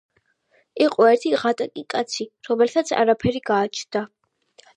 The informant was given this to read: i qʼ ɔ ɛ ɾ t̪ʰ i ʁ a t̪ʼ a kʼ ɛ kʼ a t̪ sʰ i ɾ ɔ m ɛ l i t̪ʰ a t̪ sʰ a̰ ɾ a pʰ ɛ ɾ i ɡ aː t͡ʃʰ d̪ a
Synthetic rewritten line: i qʼ ɔ ɛ ɾ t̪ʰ i ʁ a t̪ʼ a kʼ i kʼ a t̪ sʰ i ɾ ɔ m ɛ l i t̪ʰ a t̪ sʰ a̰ ɾ a pʰ ɛ ɾ i ɡ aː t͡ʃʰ d̪ a

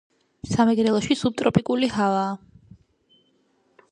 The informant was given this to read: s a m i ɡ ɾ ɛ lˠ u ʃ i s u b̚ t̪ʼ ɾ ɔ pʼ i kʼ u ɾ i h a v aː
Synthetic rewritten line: s a m ɛ ɡ ɾ ɛ lˠ ɔ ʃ i s u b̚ t̪ʼ ɾ ɔ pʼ i kʼ u l i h a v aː

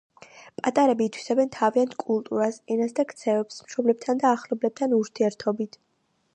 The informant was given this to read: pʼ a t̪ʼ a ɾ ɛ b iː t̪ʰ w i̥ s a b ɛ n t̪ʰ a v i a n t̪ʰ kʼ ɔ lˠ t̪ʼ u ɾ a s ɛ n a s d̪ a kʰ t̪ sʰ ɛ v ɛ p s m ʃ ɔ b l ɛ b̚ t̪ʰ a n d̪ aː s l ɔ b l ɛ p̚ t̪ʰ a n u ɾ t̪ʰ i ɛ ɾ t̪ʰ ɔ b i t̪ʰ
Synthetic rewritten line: pʼ a t̪ʼ a ɾ ɛ b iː t̪ʰ w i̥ s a b ɛ n t̪ʰ a v i a n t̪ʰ kʼ u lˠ t̪ʼ u ɾ a s ɛ n a s d̪ a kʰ t̪ sʰ ɛ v ɛ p s m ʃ ɔ b l ɛ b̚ t̪ʰ a n d̪ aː χ l ɔ b l ɛ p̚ t̪ʰ a n u ɾ t̪ʰ i ɛ ɾ t̪ʰ ɔ b i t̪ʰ

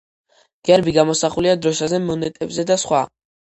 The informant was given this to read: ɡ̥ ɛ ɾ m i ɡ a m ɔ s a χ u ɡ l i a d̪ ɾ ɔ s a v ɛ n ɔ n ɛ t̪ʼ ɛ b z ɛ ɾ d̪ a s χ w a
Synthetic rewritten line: ɡ̥ ɛ ɾ b i ɡ a m ɔ s a χ u l i a d̪ ɾ ɔ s a z ɛ m ɔ n ɛ t̪ʼ ɛ b z ɛ d̪ a s χ w a

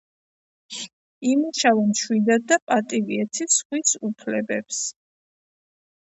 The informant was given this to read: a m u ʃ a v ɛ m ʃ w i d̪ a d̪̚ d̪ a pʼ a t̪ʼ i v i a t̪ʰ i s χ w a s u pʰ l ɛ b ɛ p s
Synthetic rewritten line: i m u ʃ a v ɛ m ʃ w i d̪ a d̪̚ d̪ a pʼ a t̪ʼ i v i ɛ t̪ʰ i s χ w i s u pʰ l ɛ b ɛ p s

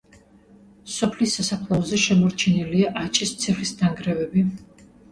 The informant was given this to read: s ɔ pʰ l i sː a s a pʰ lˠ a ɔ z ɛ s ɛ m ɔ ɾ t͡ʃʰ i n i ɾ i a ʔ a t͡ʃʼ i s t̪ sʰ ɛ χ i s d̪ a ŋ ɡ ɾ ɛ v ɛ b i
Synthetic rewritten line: s ɔ pʰ l i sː a s a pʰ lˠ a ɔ z ɛ ʃ ɛ m ɔ ɾ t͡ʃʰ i n i l i a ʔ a t͡ʃʼ i s t̪ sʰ ɛ χ i s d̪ a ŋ ɡ ɾ ɛ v ɛ b i

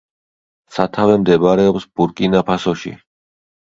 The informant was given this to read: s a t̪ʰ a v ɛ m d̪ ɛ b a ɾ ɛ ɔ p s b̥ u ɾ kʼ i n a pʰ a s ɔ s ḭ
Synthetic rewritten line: s a t̪ʰ a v ɛ m d̪ ɛ b a ɾ ɛ ɔ p s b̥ u ɾ kʼ i n a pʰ a s ɔ ʃ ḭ

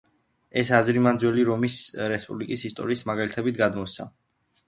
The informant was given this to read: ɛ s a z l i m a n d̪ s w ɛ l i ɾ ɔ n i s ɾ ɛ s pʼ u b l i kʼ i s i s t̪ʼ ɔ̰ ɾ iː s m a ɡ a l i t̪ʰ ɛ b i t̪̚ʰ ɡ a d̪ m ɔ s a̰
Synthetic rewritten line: ɛ s a z ɾ i m a n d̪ z w ɛ l i ɾ ɔ m i s ɾ ɛ s pʼ u b l i kʼ i s i s t̪ʼ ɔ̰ ɾ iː s m a ɡ a l i t̪ʰ ɛ b i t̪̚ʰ ɡ a d̪ m ɔ s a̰

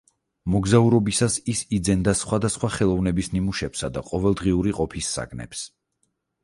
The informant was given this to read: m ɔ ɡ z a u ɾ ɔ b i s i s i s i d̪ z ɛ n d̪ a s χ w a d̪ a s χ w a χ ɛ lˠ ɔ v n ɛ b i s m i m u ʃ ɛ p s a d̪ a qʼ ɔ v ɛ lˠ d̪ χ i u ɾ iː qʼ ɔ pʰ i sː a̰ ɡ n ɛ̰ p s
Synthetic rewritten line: m ɔ ɡ z a u ɾ ɔ b i s a s i s i d̪ z ɛ n d̪ a s χ w a d̪ a s χ w a χ ɛ lˠ ɔ v n ɛ b i s n i m u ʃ ɛ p s a d̪ a qʼ ɔ v ɛ lˠ d̪ ʁ i u ɾ i qʼ ɔ pʰ i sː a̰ ɡ n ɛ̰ p s

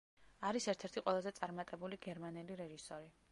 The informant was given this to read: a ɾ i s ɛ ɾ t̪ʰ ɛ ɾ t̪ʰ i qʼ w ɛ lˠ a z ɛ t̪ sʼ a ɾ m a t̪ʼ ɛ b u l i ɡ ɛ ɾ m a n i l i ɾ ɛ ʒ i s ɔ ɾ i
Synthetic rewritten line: a ɾ i s ɛ ɾ t̪ʰ ɛ ɾ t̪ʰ i qʼ w ɛ lˠ a z ɛ t̪ sʼ a ɾ m a t̪ʼ ɛ b u l i ɡ ɛ ɾ m a n ɛ l i ɾ ɛ ʒ i s ɔ ɾ i

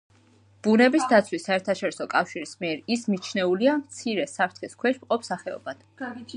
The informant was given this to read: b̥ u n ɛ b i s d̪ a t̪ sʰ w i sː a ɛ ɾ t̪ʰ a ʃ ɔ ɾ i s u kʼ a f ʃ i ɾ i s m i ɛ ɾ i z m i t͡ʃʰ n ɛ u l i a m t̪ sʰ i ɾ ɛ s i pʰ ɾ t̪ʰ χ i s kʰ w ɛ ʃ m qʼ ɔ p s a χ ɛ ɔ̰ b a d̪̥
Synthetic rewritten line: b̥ u n ɛ b i s d̪ a t̪ sʰ w i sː a ɛ ɾ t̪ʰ a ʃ ɔ ɾ i s ɔ kʼ a f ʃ i ɾ i s m i ɛ ɾ i s m i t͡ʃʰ n ɛ u l i a m t̪ sʰ i ɾ ɛ s a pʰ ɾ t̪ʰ χ i s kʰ w ɛ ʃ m qʼ ɔ p s a χ ɛ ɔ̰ b a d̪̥

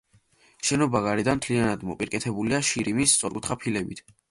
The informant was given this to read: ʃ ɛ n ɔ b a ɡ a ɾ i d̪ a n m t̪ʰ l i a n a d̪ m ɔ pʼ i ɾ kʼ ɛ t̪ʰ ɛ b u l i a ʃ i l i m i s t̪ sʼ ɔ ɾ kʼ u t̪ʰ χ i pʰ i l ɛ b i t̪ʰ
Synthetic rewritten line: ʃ ɛ n ɔ b a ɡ a ɾ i d̪ a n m t̪ʰ l i a n a d̪ m ɔ pʼ i ɾ kʼ ɛ t̪ʰ ɛ b u l i a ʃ i ɾ i m i s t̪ sʼ ɔ ɾ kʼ u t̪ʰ χ a pʰ i l ɛ b i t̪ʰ

